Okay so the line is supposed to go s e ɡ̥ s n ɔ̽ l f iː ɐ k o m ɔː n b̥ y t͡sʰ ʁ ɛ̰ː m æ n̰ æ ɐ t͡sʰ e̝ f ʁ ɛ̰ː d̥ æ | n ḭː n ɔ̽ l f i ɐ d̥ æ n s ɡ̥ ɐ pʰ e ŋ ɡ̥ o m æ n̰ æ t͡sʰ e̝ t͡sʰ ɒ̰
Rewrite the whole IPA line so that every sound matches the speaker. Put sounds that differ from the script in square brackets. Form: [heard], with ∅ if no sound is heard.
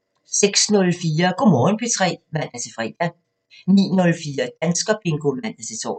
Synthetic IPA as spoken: s e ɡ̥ s n ɔ̽ l f iː ɐ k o m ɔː n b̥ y t͡sʰ ʁ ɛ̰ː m æ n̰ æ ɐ t͡sʰ e̝ f ʁ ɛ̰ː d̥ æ | n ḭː n ɔ̽ l f [iː] ɐ d̥ æ n s ɡ̥ ɐ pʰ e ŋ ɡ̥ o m æ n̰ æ t͡sʰ e̝ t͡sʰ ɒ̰